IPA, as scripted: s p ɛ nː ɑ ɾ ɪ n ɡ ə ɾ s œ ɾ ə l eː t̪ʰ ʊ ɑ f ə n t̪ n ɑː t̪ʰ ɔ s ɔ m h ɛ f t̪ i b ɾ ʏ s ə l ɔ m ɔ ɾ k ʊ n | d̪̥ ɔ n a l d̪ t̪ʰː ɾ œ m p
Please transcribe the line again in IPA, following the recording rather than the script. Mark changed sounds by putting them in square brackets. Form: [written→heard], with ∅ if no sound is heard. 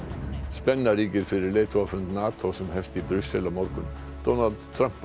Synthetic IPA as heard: s p ɛ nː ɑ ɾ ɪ [n→∅] ɡ ə ɾ [s→f] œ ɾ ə l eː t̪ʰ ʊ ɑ f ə n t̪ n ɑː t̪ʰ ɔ s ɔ m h ɛ f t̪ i b ɾ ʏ s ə l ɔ m ɔ ɾ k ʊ n | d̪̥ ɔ n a l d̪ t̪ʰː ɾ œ m p